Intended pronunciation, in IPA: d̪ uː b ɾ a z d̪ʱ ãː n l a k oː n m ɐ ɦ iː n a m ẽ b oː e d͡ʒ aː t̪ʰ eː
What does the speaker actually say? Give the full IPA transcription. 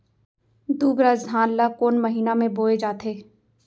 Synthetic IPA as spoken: d̪ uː b ɾ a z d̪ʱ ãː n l a k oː n m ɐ ɦ iː n a m ẽ b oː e d͡ʒ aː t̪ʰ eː